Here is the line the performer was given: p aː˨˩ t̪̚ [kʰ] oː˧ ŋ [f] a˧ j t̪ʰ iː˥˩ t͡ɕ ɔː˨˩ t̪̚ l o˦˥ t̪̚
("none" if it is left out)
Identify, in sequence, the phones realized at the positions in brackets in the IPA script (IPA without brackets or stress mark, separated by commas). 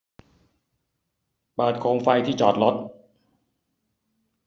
kʰ, f